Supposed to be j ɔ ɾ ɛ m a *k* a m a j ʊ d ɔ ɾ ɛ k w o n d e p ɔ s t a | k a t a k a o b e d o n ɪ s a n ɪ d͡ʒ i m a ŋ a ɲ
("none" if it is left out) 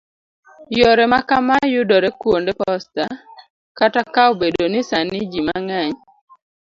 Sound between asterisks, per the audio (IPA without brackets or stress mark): k